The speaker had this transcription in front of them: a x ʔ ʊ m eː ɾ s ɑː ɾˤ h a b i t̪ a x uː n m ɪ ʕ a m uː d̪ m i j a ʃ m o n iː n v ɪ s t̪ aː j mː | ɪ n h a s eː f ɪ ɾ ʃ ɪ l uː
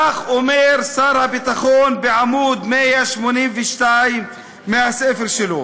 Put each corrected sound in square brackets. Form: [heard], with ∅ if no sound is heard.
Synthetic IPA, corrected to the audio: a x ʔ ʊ m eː ɾ s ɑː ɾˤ h a b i t̪ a x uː n [b] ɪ ʕ a m uː d̪ m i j a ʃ m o n iː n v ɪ [ʃ] t̪ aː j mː | ɪ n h a s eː f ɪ ɾ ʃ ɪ l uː